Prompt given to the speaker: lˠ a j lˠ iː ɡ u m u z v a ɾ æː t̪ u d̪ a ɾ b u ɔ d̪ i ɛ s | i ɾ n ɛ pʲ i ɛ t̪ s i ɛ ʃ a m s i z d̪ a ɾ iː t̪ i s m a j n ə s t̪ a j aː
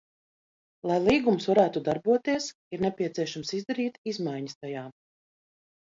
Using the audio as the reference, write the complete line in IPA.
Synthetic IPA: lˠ a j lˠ iː ɡ u m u s v a ɾ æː t̪ u d̪ a ɾ b u ɔ t̪ i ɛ s | i ɾ n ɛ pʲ i ɛ t̪ s i ɛ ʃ a m s i z d̪ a ɾ iː t̪ i z m a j ɲ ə s t̪ a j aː